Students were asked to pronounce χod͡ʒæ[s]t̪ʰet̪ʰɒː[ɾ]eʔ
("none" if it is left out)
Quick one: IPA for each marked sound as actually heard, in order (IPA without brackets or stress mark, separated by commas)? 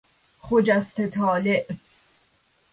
s, l